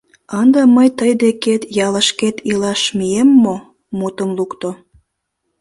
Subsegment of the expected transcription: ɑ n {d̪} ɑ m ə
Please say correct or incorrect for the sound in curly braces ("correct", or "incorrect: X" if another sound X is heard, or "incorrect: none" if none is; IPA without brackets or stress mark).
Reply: correct